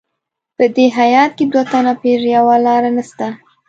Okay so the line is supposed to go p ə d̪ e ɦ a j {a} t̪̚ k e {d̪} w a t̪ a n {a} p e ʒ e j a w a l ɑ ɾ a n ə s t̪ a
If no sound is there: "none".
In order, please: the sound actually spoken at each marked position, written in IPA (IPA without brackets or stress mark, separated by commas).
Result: ɑ, d̪, a